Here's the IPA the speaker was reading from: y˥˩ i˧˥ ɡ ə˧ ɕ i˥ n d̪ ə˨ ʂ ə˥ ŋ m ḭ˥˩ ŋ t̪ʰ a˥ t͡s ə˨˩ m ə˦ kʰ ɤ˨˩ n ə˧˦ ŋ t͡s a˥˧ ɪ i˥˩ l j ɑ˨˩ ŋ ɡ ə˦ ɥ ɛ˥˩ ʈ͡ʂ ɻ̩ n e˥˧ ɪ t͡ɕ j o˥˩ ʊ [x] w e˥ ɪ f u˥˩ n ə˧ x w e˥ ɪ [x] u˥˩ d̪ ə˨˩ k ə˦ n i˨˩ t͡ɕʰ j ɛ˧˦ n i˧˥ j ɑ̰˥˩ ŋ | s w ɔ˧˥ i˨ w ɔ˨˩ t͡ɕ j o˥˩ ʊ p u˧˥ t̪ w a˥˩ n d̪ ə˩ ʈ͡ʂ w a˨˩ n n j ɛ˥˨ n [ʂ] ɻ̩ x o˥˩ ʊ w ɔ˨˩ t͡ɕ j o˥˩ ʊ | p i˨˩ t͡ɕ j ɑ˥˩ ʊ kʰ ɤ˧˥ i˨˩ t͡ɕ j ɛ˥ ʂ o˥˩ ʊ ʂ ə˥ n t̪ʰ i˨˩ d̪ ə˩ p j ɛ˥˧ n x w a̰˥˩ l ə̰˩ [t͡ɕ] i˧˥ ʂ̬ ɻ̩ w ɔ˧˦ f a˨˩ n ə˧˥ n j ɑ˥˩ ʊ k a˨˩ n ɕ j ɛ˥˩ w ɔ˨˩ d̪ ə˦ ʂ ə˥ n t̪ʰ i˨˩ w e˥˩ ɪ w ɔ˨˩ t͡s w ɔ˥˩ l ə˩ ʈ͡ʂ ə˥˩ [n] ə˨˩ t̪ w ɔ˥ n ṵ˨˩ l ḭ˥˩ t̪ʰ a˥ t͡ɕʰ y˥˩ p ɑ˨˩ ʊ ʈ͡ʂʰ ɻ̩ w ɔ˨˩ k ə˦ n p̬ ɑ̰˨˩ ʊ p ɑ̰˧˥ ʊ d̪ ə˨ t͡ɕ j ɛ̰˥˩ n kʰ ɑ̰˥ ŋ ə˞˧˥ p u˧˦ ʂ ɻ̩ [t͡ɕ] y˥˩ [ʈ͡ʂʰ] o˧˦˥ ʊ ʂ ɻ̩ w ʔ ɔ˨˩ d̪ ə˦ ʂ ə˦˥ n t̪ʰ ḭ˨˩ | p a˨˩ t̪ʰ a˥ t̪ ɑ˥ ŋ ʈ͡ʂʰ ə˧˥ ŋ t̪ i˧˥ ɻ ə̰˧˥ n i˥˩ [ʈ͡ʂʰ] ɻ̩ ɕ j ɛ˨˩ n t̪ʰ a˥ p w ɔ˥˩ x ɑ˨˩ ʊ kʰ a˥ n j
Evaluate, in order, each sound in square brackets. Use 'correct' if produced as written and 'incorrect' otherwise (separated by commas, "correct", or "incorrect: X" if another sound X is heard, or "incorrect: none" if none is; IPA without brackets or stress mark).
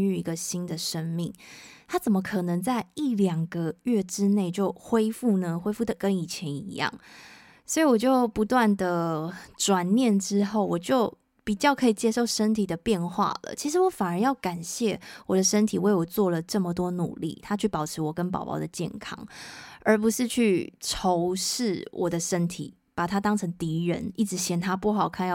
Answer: correct, incorrect: f, incorrect: ʈ͡ʂ, incorrect: t͡ɕʰ, incorrect: m, incorrect: t͡ɕʰ, correct, incorrect: ʈ͡ʂ